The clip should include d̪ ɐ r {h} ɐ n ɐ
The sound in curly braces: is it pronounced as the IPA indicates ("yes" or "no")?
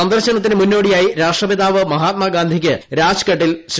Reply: no